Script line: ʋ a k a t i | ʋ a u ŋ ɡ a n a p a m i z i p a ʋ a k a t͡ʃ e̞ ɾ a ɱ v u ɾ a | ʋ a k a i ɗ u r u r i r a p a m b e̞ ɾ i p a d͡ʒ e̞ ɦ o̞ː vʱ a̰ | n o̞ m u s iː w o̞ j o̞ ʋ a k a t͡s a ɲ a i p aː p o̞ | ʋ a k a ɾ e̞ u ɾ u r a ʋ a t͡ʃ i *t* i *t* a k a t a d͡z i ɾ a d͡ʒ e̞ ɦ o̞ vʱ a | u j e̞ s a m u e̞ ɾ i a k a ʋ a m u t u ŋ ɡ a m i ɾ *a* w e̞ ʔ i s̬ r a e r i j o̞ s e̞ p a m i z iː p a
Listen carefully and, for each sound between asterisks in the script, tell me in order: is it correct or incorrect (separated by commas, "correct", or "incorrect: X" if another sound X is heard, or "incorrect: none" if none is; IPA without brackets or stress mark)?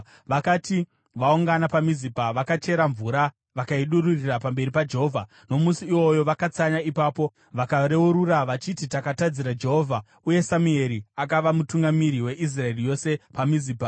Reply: correct, correct, incorrect: i